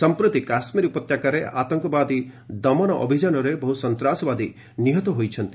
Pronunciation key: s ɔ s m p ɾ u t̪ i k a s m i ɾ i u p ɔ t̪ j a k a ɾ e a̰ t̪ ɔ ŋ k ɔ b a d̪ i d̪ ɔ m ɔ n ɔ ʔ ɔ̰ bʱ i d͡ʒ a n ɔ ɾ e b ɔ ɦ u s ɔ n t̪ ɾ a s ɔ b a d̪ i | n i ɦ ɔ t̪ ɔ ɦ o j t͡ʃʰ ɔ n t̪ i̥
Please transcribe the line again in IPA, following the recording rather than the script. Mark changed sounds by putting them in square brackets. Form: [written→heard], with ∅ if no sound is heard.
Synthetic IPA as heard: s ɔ [s→∅] m p ɾ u t̪ i k a s m i ɾ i u p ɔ t̪ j a k a ɾ e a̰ t̪ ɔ ŋ k ɔ b a d̪ i d̪ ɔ m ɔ n ɔ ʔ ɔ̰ bʱ i d͡ʒ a n ɔ ɾ e b ɔ ɦ u s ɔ n t̪ ɾ a s ɔ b a d̪ i | n i ɦ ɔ t̪ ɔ ɦ o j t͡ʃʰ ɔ n t̪ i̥